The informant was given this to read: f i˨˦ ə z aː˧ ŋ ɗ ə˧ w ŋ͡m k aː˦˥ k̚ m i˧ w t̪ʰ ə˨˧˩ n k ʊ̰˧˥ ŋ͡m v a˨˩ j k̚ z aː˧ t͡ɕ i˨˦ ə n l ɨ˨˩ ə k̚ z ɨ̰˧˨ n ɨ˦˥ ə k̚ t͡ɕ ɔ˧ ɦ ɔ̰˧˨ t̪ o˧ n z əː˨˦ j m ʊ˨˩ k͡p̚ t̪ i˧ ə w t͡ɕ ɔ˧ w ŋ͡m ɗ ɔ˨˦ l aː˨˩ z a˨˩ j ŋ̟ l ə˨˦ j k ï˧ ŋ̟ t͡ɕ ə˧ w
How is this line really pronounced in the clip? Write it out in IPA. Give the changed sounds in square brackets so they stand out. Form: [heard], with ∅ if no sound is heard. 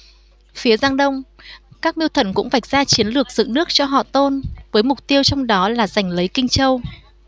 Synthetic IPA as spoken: f i˨˦ ə z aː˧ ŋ ɗ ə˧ w ŋ͡m k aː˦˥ k̚ m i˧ w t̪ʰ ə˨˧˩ n k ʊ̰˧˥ ŋ͡m v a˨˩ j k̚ z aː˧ t͡ɕ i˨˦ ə n l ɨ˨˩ ə k̚ z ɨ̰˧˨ n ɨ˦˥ ə k̚ t͡ɕ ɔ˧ ɦ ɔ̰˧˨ t̪ o˧ n [v] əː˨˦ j m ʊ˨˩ k͡p̚ t̪ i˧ ə w t͡ɕ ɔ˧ w ŋ͡m ɗ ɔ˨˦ l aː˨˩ z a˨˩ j ŋ̟ l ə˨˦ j k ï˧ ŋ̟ t͡ɕ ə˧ w